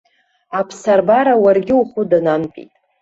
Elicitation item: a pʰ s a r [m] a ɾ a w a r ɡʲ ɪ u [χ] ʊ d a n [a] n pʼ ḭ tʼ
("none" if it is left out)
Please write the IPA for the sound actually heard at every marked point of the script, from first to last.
b, χ, a

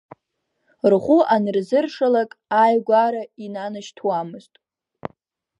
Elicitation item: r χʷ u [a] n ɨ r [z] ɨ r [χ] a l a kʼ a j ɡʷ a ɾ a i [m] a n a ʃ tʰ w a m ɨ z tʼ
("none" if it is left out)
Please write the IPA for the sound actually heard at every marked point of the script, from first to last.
a, z, ʂ, n

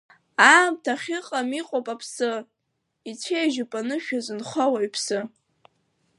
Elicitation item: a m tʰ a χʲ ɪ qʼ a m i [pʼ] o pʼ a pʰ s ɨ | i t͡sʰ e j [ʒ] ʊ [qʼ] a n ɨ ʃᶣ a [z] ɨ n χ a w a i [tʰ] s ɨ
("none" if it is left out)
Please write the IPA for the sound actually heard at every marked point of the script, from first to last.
qʼ, ʒ, pʼ, z, pʰ

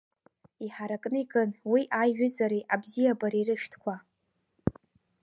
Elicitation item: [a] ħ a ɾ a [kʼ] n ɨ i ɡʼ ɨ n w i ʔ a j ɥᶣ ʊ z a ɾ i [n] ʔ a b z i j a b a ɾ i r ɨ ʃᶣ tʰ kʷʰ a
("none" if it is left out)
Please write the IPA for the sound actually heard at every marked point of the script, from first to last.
i, kʼ, none

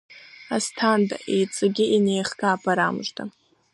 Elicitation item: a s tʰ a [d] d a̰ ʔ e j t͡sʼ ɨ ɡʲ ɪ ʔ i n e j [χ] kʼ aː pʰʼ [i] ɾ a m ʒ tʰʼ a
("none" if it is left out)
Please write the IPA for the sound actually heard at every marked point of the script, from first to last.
n, χ, a

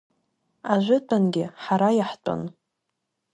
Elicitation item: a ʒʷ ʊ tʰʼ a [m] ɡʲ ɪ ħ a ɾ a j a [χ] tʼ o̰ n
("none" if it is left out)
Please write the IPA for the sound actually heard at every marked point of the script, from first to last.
n, ħ

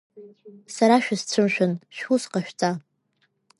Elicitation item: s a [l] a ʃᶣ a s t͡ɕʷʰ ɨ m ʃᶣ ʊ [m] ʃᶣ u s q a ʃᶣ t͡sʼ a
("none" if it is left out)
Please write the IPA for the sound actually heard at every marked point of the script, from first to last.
ɾ, n

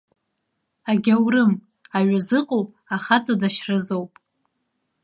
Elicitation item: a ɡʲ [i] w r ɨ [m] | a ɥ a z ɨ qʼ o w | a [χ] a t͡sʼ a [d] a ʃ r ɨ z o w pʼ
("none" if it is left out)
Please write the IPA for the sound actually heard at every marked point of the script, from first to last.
a, m, χ, d

